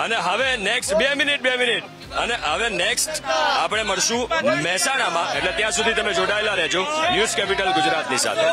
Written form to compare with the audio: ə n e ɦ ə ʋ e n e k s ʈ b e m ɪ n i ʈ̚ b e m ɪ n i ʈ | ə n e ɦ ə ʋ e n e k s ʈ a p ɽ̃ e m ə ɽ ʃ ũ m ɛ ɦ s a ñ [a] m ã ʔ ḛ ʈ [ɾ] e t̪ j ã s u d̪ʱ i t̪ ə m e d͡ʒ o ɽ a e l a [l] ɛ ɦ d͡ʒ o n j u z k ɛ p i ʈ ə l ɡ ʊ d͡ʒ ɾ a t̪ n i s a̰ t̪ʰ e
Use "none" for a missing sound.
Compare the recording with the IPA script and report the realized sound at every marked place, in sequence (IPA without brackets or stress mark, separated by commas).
a, l, ɾ